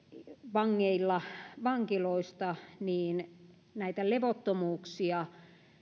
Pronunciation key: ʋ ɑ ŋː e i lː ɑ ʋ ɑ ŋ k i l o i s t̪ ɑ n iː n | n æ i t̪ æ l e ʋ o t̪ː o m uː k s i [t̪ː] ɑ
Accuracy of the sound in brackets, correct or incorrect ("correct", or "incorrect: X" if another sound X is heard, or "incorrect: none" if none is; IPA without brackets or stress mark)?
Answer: incorrect: none